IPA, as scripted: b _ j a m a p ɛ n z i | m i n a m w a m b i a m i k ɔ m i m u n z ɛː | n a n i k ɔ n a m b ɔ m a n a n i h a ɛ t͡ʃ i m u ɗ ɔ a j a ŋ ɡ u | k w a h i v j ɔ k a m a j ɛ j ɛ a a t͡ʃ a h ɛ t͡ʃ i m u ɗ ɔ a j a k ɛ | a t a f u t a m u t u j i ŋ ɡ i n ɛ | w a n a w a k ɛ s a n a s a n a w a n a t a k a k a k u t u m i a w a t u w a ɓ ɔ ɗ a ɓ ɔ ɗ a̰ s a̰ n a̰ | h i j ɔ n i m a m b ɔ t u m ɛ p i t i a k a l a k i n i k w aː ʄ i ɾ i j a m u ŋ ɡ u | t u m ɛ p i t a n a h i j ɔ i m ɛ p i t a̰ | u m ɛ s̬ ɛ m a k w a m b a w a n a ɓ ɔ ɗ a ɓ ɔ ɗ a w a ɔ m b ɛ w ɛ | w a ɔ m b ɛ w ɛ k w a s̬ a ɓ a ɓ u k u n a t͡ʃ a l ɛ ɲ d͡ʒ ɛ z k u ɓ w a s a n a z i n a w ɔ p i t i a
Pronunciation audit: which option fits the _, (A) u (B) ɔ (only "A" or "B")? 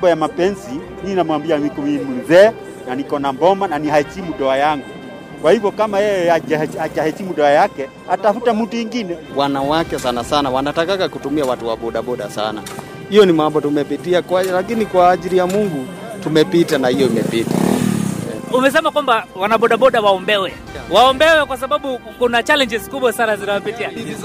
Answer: B